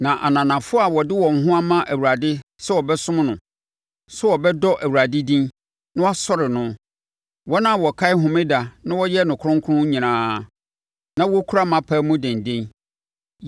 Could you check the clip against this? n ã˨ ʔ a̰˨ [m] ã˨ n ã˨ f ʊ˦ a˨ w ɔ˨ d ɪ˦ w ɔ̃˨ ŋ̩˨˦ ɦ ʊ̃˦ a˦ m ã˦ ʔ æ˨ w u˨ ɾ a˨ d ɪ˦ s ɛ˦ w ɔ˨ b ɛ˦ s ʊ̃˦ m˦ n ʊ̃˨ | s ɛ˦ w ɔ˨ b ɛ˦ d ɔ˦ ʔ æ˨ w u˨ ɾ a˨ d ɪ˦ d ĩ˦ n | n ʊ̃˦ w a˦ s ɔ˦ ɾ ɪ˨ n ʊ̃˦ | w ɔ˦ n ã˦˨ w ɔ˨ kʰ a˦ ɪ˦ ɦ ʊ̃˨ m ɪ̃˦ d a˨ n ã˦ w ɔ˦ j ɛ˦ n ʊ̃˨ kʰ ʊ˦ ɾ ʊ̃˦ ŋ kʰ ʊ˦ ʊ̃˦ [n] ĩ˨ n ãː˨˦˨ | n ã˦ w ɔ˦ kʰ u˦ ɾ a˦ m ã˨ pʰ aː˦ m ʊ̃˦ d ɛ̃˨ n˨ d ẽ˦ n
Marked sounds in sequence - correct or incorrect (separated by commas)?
incorrect, incorrect